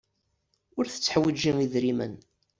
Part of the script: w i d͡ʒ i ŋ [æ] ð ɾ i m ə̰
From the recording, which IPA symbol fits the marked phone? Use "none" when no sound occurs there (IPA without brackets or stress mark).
i